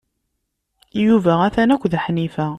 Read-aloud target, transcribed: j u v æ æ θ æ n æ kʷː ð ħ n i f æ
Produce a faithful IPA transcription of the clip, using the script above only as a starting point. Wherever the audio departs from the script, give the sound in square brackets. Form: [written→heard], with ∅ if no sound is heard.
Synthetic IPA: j u v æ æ θ æ n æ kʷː ð ħ n i f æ